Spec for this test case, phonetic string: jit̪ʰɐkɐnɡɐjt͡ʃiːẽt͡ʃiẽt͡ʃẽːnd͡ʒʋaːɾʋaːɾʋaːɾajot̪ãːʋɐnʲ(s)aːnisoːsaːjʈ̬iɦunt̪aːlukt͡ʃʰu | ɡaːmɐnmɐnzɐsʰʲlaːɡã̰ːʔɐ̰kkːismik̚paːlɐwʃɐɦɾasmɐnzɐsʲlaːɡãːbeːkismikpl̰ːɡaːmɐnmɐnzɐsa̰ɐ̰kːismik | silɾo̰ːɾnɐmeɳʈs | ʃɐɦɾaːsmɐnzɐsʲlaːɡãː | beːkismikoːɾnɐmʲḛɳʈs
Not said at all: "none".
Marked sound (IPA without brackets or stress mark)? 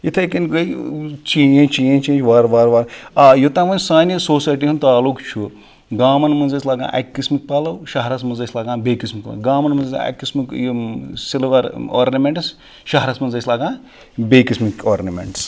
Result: s